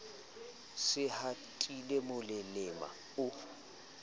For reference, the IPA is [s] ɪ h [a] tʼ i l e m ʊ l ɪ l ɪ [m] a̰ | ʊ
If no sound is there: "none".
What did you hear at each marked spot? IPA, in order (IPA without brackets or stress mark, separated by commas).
s, a, m